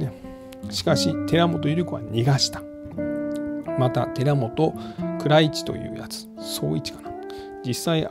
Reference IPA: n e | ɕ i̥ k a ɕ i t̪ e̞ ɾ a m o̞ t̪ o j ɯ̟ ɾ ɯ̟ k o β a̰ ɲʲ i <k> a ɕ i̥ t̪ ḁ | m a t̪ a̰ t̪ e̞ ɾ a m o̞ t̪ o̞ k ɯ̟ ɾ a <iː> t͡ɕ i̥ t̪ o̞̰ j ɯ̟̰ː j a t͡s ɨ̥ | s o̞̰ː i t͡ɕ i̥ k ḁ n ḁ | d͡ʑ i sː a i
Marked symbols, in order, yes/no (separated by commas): no, no